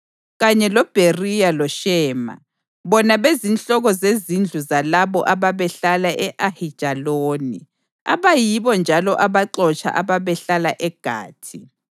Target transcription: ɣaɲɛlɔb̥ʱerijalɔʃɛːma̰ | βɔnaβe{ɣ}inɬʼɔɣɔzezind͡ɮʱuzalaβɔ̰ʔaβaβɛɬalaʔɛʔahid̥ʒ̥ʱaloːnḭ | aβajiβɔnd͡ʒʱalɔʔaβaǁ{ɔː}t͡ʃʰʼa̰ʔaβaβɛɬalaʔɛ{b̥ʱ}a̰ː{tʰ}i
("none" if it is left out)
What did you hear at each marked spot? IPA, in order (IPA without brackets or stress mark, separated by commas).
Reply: z, ɔ, ɡ̥ʱ, tʰ